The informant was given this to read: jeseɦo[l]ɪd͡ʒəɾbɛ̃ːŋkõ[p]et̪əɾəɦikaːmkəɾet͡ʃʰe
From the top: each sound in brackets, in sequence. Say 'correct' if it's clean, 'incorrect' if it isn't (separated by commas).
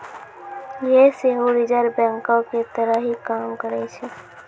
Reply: incorrect, incorrect